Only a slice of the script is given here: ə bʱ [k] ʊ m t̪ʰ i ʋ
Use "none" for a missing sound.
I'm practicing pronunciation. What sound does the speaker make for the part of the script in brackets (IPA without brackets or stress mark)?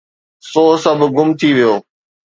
ɡ